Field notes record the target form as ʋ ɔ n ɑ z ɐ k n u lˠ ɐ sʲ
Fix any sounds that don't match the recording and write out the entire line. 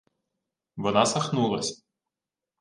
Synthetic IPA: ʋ ɔ n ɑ s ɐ x n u lˠ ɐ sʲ